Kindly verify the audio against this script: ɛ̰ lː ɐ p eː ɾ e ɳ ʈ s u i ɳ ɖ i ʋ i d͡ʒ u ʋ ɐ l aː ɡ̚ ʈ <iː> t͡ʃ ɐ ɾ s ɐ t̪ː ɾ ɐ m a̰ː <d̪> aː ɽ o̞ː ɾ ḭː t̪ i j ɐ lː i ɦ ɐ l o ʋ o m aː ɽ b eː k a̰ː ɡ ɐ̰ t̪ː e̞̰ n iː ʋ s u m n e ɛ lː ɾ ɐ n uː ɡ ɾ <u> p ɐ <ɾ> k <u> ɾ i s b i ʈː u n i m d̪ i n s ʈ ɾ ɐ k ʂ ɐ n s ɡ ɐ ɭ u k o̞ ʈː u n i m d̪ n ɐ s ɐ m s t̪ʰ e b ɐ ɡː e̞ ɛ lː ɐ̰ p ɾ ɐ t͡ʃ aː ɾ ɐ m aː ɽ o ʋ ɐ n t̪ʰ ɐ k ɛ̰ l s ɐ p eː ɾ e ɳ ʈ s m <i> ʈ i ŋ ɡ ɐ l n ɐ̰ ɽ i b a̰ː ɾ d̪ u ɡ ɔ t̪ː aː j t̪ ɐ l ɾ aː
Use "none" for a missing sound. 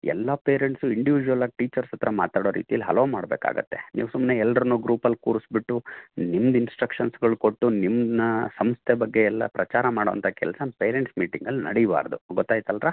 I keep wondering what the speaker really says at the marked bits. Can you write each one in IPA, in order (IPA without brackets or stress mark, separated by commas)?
iː, t̪, uː, l, uː, iː